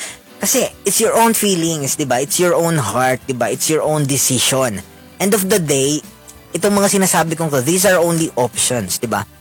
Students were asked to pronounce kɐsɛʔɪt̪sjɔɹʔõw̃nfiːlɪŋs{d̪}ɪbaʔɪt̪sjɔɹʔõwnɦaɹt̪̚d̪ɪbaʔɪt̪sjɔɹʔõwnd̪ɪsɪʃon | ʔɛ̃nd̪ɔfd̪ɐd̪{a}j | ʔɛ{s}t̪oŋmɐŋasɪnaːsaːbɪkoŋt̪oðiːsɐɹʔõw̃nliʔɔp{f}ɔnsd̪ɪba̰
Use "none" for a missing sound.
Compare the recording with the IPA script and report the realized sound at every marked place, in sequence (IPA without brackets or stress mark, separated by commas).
d̪, e, none, ʃ